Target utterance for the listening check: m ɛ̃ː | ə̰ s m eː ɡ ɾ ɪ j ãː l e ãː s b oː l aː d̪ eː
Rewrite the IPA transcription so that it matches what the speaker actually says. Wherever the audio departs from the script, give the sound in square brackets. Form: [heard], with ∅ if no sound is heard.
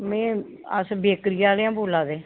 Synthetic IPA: m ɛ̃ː | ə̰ s [b] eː [k] ɾ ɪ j [aː] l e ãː [∅] b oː l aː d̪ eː